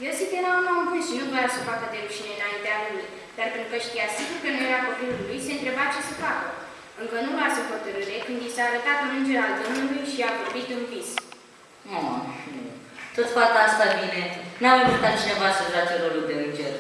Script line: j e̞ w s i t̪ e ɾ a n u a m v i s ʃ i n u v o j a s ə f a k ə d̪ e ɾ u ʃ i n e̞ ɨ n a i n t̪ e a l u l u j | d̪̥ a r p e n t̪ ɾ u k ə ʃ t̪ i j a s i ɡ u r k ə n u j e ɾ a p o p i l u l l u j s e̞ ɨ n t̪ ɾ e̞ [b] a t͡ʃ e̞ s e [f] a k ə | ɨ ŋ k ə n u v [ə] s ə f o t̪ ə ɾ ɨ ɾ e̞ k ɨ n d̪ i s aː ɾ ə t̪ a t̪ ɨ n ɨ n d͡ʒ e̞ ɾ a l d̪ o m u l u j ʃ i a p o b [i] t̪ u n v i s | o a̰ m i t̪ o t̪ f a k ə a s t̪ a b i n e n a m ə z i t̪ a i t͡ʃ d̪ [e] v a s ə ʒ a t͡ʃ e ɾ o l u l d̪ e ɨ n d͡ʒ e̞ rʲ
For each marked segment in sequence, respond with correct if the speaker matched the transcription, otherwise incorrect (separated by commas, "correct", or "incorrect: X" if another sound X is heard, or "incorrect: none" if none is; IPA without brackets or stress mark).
correct, correct, incorrect: a, correct, correct